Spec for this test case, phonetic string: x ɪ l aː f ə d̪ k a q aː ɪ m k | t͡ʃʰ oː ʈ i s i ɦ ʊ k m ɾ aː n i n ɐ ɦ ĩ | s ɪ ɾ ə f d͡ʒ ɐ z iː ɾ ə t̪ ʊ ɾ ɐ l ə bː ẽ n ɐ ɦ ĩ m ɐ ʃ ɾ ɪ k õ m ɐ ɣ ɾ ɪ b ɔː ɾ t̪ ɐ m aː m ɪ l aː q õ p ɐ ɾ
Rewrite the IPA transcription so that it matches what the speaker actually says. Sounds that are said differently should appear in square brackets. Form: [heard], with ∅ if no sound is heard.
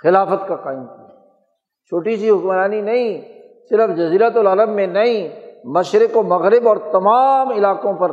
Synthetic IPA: x ɪ l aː f ə [t̪] k a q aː ɪ m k | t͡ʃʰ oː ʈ i s i ɦ ʊ k m ɾ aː n i n ɐ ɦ ĩ | s ɪ ɾ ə f d͡ʒ ɐ z iː ɾ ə t̪ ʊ [l] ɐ l ə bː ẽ n ɐ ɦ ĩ m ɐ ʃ ɾ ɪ k [o] m ɐ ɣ ɾ ɪ b ɔː ɾ t̪ ɐ m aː m ɪ l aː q õ p ɐ ɾ